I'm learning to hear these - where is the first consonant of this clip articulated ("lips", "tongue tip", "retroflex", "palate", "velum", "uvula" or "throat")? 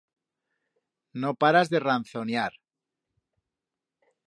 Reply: tongue tip